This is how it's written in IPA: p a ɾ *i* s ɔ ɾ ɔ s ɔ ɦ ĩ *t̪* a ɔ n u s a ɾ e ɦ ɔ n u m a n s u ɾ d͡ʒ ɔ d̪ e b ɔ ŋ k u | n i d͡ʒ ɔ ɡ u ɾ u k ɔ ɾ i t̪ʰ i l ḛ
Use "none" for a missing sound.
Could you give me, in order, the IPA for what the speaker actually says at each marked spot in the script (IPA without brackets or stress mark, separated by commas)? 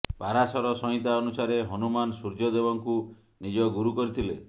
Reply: a, t̪